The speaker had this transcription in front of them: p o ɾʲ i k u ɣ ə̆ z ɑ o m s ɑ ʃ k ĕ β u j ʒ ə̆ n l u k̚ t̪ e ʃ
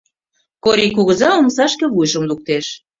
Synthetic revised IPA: k o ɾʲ i k u ɣ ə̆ z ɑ o m s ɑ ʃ k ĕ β u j ʒ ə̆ m l u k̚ t̪ e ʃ